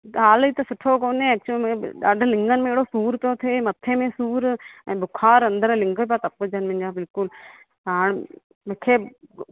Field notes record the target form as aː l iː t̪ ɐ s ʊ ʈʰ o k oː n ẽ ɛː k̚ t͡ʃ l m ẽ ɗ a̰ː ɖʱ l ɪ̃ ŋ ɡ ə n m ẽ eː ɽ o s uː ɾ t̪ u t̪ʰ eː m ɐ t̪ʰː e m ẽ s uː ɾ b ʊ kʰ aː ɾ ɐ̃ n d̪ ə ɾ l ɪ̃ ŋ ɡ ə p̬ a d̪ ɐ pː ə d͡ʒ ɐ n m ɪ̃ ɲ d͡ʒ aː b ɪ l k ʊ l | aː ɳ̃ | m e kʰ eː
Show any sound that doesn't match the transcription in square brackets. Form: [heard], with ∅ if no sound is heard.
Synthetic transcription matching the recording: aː l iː t̪ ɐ s ʊ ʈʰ o k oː n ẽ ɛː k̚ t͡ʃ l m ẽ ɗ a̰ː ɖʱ l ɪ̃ ŋ ɡ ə n m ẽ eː ɽ o s uː ɾ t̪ [o] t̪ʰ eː m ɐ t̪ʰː e m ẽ s uː ɾ b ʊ kʰ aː ɾ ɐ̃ n d̪ ə ɾ l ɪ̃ ŋ ɡ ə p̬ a [t̪] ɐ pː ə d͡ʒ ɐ n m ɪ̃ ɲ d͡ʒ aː b ɪ l k ʊ l | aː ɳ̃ | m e kʰ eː